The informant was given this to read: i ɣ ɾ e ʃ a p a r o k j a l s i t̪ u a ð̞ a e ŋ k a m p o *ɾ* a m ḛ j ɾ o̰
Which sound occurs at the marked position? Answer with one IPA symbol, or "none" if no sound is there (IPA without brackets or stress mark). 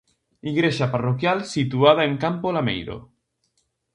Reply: l